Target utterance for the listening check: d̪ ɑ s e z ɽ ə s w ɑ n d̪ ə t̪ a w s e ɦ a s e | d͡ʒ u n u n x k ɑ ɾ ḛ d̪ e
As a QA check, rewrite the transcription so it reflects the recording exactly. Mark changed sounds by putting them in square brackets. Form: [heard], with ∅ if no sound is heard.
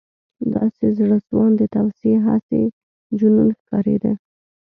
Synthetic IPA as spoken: d̪ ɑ s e z ɽ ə s w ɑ n d̪ ə t̪ a w s e ɦ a s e | d͡ʒ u n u n x k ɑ ɾ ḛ d̪ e